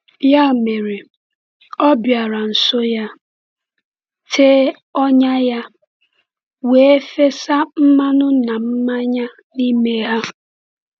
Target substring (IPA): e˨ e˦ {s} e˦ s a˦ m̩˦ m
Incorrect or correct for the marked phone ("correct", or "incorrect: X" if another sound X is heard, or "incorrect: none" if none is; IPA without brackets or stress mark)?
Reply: incorrect: f